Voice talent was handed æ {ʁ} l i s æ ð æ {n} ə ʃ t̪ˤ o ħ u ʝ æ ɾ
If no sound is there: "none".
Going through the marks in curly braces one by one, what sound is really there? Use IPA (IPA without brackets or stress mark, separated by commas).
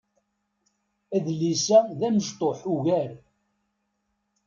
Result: ð, m